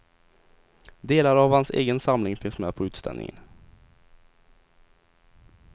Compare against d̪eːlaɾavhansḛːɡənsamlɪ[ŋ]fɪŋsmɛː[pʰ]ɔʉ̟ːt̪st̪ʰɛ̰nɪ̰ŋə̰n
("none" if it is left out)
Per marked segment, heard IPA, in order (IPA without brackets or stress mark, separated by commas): ŋ, pʰ